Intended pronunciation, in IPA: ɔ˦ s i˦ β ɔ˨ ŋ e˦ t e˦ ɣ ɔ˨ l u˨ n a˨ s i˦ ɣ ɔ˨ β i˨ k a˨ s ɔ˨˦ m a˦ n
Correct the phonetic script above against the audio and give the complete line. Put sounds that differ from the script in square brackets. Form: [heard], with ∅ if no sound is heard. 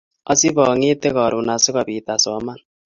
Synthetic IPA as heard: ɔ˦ s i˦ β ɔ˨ ŋ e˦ t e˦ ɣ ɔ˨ [ɾ] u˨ n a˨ s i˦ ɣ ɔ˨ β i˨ [t] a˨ s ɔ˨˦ m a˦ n